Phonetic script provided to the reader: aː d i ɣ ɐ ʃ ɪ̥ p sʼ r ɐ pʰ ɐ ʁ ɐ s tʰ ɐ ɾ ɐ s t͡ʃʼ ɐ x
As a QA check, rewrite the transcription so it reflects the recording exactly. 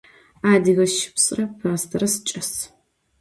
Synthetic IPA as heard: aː d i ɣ ɐ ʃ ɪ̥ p sʼ r ɐ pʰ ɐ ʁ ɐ s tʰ ɐ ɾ ɐ s t͡ʃʼ ɐ s